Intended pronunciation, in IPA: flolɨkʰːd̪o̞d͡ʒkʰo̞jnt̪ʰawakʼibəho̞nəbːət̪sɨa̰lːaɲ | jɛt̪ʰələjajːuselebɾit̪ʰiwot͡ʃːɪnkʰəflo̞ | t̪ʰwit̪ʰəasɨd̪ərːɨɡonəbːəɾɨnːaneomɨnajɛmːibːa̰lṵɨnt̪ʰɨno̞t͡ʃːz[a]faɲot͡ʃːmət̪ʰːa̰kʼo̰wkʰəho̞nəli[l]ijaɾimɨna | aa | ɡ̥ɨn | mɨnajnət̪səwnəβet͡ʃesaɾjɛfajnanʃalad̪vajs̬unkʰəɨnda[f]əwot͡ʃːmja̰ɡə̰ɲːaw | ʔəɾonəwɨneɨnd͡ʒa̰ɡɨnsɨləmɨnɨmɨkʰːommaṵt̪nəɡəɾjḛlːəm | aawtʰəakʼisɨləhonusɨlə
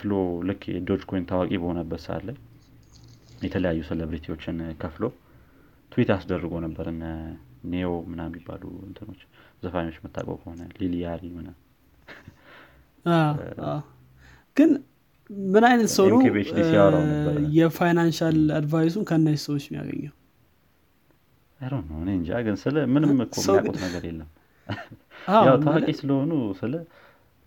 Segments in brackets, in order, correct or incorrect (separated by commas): incorrect, correct, incorrect